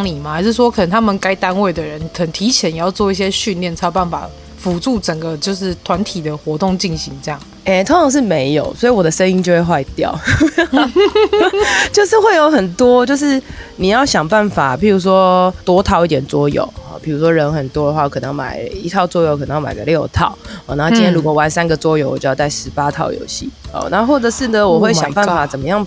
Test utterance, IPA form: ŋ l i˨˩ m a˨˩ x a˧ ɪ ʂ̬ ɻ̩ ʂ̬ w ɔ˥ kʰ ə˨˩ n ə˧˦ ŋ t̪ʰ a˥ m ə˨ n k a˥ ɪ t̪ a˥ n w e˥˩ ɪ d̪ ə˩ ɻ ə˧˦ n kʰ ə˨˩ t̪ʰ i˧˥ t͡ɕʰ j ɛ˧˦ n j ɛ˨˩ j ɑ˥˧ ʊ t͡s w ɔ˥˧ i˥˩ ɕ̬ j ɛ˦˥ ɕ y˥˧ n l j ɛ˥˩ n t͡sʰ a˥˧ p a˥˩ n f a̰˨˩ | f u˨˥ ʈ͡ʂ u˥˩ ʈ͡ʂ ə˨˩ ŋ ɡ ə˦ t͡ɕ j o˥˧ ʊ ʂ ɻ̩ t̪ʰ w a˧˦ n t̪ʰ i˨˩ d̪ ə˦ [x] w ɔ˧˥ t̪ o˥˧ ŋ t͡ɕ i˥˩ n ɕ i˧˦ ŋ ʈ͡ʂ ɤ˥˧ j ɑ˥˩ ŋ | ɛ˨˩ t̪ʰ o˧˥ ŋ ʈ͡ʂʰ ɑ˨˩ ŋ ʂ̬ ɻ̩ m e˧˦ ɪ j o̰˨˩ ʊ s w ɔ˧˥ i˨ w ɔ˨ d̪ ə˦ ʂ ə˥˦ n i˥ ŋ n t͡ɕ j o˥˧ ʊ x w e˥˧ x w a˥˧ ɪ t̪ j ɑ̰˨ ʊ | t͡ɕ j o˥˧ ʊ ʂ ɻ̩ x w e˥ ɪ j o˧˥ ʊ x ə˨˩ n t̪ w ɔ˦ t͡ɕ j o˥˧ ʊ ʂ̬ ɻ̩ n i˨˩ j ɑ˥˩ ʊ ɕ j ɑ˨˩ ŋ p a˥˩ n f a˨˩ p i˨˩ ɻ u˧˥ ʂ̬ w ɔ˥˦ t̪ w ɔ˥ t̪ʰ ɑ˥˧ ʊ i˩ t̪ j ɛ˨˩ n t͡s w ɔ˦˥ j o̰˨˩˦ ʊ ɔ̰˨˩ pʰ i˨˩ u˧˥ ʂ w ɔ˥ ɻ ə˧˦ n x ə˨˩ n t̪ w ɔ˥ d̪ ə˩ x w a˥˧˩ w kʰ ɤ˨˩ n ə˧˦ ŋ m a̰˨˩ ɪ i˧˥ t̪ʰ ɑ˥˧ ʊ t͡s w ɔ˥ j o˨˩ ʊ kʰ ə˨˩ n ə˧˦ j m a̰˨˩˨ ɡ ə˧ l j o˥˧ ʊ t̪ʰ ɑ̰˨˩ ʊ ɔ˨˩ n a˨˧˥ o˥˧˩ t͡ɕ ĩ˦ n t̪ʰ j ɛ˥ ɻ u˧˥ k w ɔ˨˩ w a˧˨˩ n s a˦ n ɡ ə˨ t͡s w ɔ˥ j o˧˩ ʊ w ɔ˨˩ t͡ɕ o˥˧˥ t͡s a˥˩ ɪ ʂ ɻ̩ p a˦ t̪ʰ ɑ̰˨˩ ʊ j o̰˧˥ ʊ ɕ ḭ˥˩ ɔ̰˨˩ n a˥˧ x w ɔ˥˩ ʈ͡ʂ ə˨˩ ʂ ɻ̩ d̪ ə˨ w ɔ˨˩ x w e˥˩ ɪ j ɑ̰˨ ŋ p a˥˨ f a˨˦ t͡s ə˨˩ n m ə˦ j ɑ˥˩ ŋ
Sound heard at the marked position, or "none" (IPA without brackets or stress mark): x